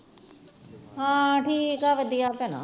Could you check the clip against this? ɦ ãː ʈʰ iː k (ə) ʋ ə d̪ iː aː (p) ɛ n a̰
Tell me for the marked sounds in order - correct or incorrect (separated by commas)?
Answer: incorrect, correct